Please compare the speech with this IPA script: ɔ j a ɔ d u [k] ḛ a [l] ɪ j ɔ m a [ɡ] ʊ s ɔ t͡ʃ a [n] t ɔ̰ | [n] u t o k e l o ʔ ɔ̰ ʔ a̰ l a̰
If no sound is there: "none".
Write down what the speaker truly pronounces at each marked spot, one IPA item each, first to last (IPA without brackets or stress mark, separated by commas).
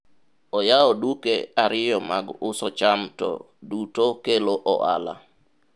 k, ɾ, ɡ, m, d